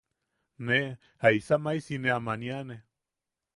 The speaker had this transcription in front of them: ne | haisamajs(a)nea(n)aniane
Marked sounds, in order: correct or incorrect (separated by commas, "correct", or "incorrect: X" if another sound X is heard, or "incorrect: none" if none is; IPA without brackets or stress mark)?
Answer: incorrect: i, incorrect: m